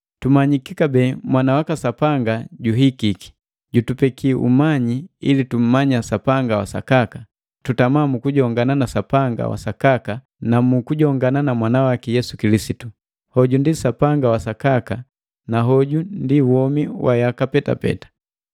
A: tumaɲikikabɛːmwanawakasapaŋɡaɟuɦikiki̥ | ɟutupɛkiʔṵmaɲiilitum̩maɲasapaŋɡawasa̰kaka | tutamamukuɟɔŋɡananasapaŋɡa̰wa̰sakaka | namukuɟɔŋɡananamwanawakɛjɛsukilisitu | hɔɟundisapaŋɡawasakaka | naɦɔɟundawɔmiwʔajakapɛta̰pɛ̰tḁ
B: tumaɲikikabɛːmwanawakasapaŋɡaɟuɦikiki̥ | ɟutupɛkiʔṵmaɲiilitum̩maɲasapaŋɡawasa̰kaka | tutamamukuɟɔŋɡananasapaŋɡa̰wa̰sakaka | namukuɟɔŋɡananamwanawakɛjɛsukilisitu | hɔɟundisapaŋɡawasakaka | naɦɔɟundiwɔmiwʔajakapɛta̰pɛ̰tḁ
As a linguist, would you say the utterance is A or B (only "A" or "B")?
B